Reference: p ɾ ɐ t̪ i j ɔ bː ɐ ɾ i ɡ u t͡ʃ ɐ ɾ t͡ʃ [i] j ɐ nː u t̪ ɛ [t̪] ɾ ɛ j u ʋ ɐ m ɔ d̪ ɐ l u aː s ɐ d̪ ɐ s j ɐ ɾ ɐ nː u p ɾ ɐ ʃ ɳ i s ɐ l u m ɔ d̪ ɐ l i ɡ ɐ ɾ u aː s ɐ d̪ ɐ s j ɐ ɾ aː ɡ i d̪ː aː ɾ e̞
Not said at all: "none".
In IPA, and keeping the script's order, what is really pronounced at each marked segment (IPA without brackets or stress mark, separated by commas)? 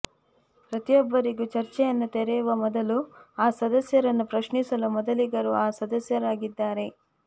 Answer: ɛ, none